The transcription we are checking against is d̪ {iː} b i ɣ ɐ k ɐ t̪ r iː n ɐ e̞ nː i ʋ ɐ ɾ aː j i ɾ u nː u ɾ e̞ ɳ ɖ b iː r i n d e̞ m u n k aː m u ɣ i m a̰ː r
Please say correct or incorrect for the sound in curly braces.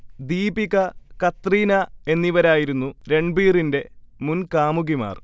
correct